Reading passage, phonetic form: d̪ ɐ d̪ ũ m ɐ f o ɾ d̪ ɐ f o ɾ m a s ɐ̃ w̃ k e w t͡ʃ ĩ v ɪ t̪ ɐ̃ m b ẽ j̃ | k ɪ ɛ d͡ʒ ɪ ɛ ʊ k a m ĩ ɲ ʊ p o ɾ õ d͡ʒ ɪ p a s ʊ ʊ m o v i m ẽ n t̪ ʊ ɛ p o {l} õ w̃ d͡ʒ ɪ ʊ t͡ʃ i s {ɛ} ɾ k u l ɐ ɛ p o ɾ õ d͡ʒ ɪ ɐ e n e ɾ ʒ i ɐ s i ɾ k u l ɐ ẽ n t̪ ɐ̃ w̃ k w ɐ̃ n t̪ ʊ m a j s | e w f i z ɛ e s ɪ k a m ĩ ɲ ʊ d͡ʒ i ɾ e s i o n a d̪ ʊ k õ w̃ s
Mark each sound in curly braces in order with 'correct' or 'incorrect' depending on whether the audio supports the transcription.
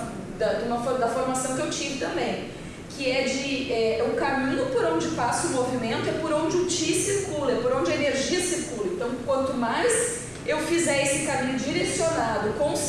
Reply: incorrect: ɾ, incorrect: i

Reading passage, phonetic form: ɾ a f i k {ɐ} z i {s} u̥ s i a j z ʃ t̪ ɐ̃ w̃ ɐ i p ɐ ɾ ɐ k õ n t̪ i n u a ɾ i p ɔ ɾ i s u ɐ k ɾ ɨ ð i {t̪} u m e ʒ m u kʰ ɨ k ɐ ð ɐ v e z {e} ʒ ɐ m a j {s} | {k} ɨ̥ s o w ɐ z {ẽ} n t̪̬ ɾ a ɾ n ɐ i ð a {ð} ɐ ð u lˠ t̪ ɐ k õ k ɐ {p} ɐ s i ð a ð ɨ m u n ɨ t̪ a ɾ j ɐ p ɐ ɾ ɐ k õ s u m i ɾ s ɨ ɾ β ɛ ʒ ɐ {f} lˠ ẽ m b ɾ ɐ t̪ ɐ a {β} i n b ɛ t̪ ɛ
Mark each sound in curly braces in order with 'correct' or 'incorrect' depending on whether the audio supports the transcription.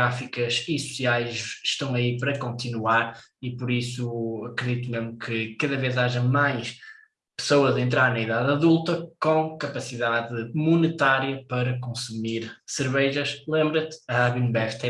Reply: correct, correct, correct, incorrect: a, incorrect: ʃ, incorrect: p, correct, correct, correct, incorrect: ʃ, correct

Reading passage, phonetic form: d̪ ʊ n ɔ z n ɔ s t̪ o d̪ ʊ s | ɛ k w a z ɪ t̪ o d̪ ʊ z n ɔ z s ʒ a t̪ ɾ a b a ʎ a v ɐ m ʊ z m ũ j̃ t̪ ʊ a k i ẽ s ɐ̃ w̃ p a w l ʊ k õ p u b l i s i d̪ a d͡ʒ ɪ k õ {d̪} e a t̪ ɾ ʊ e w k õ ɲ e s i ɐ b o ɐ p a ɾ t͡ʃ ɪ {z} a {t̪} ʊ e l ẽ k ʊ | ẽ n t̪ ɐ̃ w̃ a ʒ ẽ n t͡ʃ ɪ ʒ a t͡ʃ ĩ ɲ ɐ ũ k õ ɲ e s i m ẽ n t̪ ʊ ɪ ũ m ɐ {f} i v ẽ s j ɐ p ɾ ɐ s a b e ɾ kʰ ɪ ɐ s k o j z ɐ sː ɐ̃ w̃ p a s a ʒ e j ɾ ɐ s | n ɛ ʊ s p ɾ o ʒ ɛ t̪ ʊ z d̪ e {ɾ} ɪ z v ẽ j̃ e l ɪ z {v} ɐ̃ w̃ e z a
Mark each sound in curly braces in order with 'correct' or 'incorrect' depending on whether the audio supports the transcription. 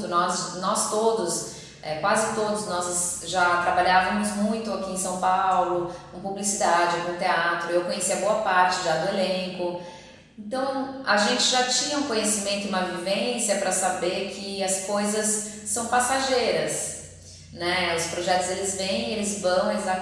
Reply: incorrect: t̪, incorrect: ʒ, incorrect: d̪, incorrect: v, incorrect: l, correct

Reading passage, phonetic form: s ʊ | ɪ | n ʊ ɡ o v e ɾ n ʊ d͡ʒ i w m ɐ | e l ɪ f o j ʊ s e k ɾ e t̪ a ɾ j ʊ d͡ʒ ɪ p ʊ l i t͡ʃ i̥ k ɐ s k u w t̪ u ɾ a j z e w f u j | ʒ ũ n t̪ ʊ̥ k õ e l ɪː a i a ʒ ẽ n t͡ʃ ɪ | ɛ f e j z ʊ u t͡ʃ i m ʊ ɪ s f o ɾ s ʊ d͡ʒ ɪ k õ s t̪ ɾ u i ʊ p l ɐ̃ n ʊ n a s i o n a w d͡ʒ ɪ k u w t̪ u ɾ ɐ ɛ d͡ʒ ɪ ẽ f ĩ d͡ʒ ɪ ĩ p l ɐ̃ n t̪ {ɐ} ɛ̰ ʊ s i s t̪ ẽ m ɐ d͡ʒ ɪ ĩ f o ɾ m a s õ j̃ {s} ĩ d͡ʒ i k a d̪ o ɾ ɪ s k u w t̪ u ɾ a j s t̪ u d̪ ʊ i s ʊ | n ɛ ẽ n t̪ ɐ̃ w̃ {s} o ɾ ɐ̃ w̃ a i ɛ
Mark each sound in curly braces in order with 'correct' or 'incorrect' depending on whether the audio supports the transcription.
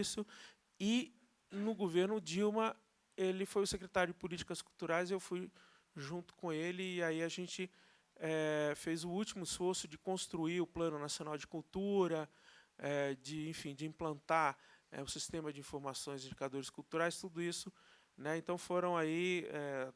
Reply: incorrect: a, incorrect: z, incorrect: f

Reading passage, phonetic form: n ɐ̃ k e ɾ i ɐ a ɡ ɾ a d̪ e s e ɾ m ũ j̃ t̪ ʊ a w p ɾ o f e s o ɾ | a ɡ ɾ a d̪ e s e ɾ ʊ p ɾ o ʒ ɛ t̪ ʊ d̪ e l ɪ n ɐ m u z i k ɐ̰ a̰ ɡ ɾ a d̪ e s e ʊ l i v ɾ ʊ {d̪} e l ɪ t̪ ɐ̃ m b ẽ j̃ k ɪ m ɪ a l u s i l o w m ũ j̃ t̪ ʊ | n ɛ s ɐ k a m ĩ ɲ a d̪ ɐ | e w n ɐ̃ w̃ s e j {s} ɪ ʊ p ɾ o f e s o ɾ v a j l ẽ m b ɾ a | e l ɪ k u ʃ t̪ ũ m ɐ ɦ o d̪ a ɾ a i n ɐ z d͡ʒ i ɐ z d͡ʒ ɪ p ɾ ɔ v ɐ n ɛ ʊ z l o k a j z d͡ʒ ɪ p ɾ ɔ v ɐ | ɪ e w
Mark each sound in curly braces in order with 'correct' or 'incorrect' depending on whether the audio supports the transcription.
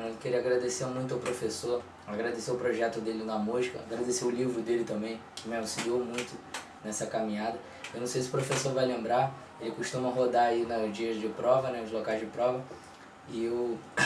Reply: correct, correct

